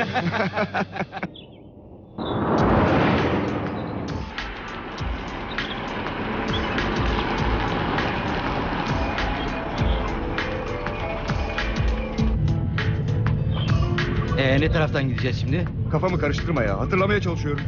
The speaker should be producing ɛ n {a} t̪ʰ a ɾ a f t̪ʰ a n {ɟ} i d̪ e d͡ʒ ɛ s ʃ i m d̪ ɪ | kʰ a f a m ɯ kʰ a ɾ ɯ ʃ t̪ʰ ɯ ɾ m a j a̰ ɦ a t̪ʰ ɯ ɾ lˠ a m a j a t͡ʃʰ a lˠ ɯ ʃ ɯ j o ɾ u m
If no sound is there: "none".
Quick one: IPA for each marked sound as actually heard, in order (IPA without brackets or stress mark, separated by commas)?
ɛ, ɟ